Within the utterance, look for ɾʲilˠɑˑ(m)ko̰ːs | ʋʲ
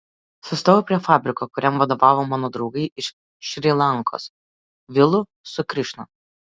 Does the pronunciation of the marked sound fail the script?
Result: yes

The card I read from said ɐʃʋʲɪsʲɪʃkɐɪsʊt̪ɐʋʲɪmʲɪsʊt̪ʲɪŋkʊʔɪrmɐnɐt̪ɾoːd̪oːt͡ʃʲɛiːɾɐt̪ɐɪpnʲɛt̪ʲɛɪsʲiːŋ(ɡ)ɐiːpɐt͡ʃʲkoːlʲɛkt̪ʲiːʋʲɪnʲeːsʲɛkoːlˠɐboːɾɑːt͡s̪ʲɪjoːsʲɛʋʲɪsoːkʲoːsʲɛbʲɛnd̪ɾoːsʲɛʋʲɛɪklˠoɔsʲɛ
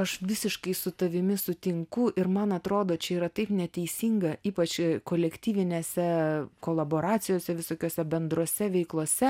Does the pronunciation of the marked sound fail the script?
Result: no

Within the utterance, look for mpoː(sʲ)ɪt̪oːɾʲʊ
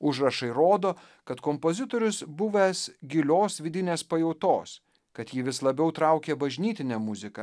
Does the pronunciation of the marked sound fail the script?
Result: yes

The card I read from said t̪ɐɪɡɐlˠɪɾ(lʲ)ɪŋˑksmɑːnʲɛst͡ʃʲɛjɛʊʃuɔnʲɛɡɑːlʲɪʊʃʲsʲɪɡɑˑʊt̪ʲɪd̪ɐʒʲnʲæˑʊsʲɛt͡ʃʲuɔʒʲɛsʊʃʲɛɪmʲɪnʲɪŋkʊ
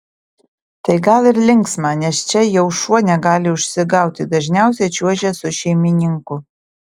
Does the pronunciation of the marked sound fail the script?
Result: no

